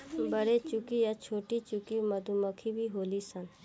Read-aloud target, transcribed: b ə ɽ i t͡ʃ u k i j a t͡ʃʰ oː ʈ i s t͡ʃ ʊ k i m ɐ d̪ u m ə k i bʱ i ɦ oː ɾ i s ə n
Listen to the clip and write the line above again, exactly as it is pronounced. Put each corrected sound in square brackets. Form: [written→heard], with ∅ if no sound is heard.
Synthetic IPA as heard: b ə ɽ [i→e] t͡ʃ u k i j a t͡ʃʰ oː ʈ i [s→∅] t͡ʃ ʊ k i m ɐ d̪ u m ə [k→kʰ] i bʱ i ɦ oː [ɾ→l] i s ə n

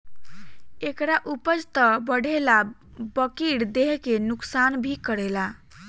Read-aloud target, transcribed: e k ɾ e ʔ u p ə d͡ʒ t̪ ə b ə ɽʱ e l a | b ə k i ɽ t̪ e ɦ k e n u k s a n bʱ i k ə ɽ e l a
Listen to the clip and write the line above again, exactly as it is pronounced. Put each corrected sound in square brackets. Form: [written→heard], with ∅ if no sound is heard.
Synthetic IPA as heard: e k ɾ [e→a] ʔ u p ə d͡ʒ t̪ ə b ə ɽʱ e l a | b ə k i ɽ [t̪→d̪] e ɦ k e n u k s a n bʱ i k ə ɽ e l a

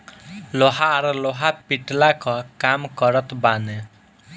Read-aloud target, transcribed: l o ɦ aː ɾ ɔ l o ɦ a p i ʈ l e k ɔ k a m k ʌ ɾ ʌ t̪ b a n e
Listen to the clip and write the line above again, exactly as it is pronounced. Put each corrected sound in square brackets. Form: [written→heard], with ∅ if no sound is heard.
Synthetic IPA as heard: l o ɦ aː ɾ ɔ l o ɦ a p i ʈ l [e→a] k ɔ k a m k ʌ ɾ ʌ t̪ b a n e

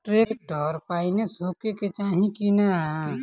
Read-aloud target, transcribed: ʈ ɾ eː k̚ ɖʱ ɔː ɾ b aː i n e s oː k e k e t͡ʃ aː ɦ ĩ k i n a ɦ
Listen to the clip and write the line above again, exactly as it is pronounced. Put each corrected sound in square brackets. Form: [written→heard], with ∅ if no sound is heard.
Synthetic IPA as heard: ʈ ɾ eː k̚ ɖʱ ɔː ɾ [b→p] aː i n e s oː k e k e t͡ʃ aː ɦ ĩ k i n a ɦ

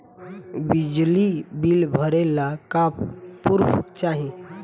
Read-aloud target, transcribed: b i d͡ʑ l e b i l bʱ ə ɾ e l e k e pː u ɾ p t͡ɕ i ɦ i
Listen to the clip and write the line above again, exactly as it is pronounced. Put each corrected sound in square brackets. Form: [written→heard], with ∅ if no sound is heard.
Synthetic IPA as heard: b i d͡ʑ l [e→i] b i l bʱ ə ɾ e l [e→a] k [e→a] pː u ɾ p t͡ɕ [i→a] ɦ i

